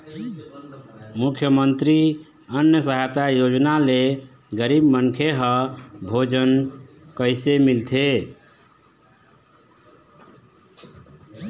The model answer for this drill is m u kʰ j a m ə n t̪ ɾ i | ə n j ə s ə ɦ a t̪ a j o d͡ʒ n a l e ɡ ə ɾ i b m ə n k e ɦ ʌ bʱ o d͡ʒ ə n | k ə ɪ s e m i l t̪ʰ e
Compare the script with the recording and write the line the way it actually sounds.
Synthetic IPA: m u kʰ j ə m ə n t̪ ɾ i | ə n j ə s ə ɦ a t̪ a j o d͡ʒ n a l e ɡ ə ɾ i b m ə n kʰ e ɦ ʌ bʱ o d͡ʒ ə n | k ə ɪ s e m i l t̪ʰ e

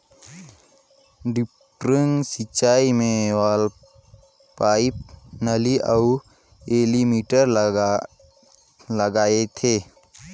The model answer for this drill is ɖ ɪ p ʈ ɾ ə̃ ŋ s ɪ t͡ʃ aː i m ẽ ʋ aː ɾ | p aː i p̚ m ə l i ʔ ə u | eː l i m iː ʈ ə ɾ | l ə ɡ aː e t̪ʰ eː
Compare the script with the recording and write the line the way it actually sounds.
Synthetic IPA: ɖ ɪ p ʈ ɾ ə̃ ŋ s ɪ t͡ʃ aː i m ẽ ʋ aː l | p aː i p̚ n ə l i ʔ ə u | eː l i m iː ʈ ə ɾ | l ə ɡ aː e t̪ʰ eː

